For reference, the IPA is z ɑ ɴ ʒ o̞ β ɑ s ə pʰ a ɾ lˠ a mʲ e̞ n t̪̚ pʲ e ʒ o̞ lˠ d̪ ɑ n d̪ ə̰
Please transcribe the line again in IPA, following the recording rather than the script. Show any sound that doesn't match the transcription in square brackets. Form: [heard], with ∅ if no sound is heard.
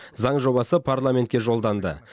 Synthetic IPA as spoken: z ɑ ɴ ʒ o̞ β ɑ s ə pʰ a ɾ lˠ a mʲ e̞ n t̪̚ [kʲ] e ʒ o̞ lˠ d̪ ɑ n d̪ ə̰

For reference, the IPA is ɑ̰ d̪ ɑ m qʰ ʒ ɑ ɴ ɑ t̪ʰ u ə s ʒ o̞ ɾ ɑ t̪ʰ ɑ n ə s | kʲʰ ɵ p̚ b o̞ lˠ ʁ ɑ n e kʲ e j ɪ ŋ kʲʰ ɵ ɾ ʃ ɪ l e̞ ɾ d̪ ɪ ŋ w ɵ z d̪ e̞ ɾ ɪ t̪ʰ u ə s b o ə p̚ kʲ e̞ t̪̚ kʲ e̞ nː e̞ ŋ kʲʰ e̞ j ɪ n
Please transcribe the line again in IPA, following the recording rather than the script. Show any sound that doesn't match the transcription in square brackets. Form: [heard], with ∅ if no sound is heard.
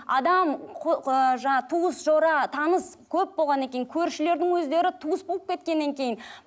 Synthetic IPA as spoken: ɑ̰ d̪ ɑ m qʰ ʒ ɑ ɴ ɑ t̪ʰ u ə s ʒ o̞ ɾ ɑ t̪ʰ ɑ n ə s | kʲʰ ɵ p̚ b o̞ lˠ ʁ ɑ n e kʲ e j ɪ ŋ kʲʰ ɵ ɾ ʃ ɪ l e̞ ɾ d̪ ɪ ŋ w ɵ z d̪ e̞ ɾ ɪ t̪ʰ u ə s b o ə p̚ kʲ e̞ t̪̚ kʲ e̞ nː e̞ ŋ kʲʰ e̞ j ɪ n

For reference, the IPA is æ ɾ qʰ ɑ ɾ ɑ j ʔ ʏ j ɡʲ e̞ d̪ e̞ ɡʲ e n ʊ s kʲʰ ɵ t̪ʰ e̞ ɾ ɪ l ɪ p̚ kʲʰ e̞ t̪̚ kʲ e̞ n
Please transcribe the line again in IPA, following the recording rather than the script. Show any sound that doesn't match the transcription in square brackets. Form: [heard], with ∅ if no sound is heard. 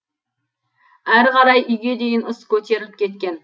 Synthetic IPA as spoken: æ ɾ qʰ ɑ ɾ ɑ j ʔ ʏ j ɡʲ e̞ d̪ e̞ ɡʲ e n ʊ s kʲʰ ɵ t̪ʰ e̞ ɾ ɪ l ɪ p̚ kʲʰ e̞ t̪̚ kʲ e̞ n

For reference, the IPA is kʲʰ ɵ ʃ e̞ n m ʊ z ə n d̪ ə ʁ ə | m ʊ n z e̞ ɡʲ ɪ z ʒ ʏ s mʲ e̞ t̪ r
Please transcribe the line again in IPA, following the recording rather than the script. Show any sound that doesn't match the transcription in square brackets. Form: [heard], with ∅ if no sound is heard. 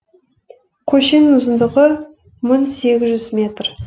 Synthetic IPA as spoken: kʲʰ ɵ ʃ e̞ n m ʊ z ə n d̪ ə ʁ ə | m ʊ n [s] e̞ ɡʲ ɪ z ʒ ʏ [z] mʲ e̞ t̪ r

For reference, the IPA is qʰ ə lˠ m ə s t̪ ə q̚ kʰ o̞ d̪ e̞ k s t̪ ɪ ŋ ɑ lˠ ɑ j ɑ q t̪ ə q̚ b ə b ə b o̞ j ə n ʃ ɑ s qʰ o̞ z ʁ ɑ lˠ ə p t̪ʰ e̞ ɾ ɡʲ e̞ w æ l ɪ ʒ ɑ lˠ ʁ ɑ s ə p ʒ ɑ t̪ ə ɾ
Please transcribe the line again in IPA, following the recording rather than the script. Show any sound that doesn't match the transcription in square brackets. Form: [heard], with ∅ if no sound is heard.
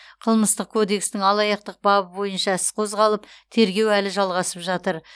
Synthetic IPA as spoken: qʰ ə lˠ m ə s t̪ ə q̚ kʰ o̞ d̪ e̞ k s t̪ ɪ ŋ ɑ lˠ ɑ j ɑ q t̪ ə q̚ b [ɑ] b ə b o̞ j ə n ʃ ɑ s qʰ o̞ z ʁ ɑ lˠ ə p t̪ʰ e̞ ɾ ɡʲ e̞ w æ l ɪ ʒ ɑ lˠ ʁ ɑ s ə p ʒ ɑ t̪ ə ɾ

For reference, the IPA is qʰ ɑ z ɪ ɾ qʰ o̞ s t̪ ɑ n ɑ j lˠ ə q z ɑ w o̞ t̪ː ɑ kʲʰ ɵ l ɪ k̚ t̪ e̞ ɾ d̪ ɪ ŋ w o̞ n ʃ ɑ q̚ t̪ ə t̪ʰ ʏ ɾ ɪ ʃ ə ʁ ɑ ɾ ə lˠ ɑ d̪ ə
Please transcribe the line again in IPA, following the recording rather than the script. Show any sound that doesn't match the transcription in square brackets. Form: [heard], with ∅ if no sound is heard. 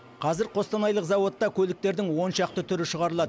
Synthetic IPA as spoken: qʰ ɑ z ɪ ɾ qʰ o̞ s t̪ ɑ n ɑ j lˠ ə q z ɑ w o̞ t̪ː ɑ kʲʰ ɵ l ɪ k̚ t̪ e̞ ɾ d̪ ɪ ŋ w o̞ n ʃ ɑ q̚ t̪ ə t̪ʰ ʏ ɾ ɪ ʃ ə ʁ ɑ ɾ ə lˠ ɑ d̪ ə

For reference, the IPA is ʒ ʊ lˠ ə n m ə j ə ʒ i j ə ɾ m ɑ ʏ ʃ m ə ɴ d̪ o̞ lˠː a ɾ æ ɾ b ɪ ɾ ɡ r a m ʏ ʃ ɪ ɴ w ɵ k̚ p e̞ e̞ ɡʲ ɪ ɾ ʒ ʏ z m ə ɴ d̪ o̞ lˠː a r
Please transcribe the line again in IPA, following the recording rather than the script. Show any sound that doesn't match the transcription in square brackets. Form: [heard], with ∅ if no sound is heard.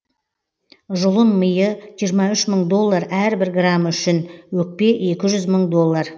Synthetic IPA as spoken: ʒ ʊ lˠ ə n m ə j ə ʒ i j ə ɾ m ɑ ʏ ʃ m ə ɴ d̪ o̞ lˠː a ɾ æ ɾ b ɪ ɾ ɡ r a m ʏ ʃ ɪ [n] w ɵ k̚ p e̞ e̞ [kʲ] ɪ [∅] ʒ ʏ z m ə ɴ d̪ o̞ lˠː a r

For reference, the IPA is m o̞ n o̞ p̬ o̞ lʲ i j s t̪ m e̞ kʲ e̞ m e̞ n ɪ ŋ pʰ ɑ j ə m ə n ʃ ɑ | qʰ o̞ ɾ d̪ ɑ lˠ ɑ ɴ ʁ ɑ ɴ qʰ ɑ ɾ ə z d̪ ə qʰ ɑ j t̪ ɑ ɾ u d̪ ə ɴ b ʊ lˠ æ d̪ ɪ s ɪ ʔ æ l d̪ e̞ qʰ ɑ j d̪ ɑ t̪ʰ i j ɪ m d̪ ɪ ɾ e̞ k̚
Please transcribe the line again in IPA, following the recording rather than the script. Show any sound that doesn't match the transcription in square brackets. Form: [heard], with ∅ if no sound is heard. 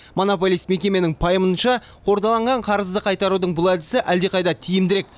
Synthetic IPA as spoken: m o̞ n o̞ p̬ o̞ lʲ i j s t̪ m e̞ kʲ e̞ m e̞ n ɪ ŋ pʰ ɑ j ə m ə n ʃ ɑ | qʰ o̞ ɾ d̪ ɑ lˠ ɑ ɴ ʁ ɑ ɴ qʰ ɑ ɾ ə z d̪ ə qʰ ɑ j t̪ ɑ ɾ u d̪ ə ɴ b ʊ lˠ æ d̪ ɪ s ɪ ʔ æ l d̪ e̞ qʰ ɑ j d̪ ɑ t̪ʰ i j ɪ m d̪ ɪ ɾ e̞ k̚

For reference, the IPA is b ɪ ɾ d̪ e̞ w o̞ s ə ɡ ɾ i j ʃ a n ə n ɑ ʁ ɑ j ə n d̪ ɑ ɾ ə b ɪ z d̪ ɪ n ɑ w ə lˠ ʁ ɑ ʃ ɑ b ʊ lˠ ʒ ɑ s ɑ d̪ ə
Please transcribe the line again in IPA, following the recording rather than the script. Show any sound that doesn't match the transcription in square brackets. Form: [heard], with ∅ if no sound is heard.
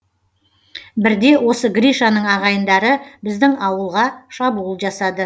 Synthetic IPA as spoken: b ɪ ɾ d̪ e̞ w o̞ s ə ɡ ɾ i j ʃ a n ə [ɴ] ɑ ʁ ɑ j ə n d̪ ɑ ɾ ə b ɪ z d̪ ɪ [ŋ] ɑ w ə lˠ ʁ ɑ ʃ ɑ b [u] lˠ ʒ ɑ s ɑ d̪ ə

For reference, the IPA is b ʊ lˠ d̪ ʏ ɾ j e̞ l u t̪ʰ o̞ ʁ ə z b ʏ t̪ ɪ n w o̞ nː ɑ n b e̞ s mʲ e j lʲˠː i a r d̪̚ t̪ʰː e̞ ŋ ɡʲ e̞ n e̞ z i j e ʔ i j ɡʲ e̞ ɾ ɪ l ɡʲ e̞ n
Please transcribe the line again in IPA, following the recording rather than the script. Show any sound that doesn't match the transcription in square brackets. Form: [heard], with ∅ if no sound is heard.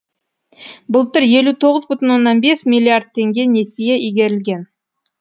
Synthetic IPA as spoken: b ʊ lˠ [t̪] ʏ ɾ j e̞ l u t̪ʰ o̞ ʁ ə z b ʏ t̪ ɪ n w o̞ nː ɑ n b e̞ s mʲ [i] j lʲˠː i a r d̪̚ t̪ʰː e̞ ŋ ɡʲ e̞ n e̞ [s] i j e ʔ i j ɡʲ e̞ ɾ ɪ l ɡʲ e̞ n

